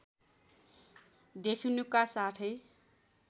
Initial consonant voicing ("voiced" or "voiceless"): voiced